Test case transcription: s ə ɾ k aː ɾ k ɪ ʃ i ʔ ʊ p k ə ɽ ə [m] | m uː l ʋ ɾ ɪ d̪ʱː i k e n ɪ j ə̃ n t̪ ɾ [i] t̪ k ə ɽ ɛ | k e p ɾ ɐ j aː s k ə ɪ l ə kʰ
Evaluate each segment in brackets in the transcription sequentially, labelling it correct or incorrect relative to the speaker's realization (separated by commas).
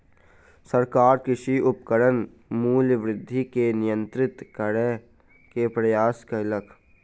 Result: incorrect, incorrect